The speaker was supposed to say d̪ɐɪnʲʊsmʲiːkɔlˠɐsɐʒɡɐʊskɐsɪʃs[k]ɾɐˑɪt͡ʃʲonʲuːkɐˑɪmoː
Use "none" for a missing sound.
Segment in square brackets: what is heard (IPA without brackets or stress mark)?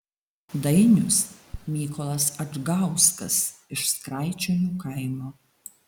k